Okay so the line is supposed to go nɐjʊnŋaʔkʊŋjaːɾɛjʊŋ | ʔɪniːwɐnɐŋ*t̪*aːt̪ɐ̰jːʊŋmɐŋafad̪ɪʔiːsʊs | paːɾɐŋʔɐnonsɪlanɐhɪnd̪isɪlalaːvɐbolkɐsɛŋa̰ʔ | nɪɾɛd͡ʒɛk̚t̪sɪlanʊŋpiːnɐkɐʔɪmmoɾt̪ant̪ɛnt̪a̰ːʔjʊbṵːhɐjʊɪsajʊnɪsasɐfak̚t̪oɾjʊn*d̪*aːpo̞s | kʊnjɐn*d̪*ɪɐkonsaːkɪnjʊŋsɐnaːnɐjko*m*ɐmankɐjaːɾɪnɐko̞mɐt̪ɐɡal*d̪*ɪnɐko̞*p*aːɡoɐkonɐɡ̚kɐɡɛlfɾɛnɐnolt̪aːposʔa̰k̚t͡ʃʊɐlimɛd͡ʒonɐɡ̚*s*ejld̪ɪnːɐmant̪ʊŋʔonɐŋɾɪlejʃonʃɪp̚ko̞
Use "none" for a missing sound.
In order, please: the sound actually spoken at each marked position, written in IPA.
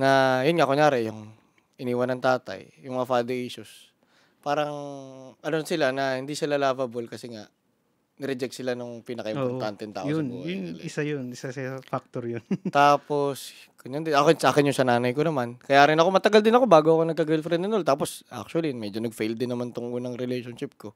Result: t̪, t̪, d̪, n, d̪, b, f

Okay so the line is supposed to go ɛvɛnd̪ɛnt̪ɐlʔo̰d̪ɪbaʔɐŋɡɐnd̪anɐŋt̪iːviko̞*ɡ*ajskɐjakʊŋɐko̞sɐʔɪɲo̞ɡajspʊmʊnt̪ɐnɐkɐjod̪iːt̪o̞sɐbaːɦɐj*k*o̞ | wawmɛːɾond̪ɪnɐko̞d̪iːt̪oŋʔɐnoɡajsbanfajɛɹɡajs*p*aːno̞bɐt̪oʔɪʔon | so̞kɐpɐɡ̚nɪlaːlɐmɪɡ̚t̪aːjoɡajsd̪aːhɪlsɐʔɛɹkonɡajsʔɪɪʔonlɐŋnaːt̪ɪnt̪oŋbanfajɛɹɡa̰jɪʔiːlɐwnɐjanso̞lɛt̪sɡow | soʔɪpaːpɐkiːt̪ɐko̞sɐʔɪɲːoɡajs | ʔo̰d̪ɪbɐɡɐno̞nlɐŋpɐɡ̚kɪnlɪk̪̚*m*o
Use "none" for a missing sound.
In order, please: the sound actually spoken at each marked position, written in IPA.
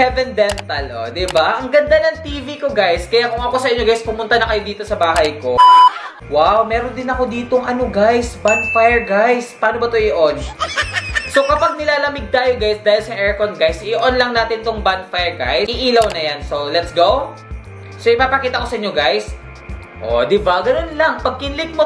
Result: ɡ, k, p, m

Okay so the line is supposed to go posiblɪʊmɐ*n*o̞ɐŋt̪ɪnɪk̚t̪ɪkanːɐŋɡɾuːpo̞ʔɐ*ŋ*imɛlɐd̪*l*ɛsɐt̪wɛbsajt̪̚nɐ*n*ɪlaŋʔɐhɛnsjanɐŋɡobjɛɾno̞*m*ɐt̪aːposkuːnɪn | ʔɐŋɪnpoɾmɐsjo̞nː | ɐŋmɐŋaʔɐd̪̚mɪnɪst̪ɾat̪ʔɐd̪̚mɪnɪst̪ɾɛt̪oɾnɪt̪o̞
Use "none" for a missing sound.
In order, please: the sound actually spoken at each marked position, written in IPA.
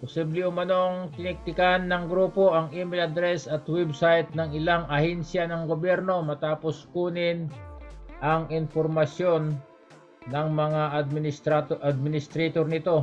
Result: n, ŋ, ɾ, ŋ, m

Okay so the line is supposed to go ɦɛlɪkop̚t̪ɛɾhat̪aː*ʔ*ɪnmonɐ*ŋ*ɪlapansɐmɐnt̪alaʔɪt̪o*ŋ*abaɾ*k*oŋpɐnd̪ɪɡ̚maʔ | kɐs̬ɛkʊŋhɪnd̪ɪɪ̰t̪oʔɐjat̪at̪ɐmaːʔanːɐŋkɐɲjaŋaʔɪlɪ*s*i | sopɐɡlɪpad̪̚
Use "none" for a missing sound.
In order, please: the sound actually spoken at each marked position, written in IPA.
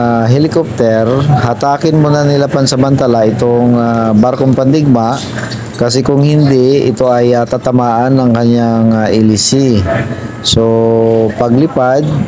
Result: k, n, ŋ, k, s

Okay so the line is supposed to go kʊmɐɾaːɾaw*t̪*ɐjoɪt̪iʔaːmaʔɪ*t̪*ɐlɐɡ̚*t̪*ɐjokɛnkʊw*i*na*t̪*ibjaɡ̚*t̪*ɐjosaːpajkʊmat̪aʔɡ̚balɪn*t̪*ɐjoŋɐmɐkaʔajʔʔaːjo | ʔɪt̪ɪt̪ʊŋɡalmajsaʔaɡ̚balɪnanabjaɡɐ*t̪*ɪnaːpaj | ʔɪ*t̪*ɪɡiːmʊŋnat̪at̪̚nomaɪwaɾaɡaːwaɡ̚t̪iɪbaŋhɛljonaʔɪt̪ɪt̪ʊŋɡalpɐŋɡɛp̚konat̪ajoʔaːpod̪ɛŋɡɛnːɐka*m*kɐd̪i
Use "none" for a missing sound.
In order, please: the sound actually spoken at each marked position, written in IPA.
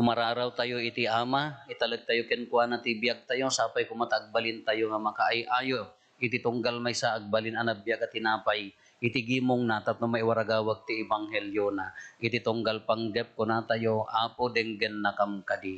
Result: t̪, t̪, t̪, a, t̪, t̪, t̪, t̪, t̪, m

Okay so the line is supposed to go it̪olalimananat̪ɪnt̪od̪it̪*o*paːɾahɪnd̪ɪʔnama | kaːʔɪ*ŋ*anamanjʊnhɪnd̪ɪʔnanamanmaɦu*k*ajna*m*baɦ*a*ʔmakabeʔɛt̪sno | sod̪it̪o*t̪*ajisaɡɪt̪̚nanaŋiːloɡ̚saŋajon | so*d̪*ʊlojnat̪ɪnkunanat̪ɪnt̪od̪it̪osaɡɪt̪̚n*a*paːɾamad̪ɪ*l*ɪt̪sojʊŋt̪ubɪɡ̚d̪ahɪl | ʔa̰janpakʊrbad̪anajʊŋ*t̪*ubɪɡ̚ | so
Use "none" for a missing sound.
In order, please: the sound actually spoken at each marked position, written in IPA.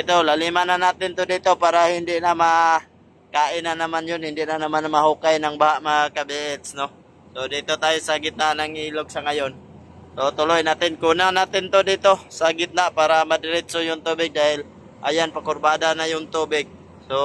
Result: o, n, k, ŋ, a, t̪, t̪, a, ɾ, t̪

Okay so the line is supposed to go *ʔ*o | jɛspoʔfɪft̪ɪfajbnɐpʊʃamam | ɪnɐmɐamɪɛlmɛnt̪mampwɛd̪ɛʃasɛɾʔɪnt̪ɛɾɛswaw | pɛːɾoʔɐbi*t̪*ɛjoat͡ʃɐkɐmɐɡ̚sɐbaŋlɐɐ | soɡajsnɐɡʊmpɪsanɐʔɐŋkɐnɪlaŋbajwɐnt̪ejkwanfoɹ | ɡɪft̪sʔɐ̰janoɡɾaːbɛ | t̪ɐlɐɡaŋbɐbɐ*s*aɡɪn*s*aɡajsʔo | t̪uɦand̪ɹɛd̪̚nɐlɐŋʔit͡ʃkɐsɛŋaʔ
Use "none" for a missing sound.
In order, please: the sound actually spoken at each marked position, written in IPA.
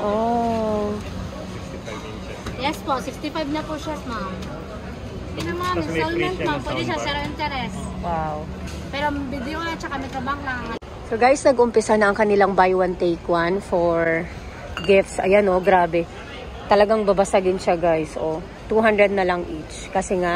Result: ʔ, d̪, s, ʃ

